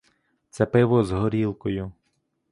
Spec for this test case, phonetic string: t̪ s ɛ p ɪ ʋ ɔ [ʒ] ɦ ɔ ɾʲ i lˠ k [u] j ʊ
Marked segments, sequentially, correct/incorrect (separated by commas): incorrect, incorrect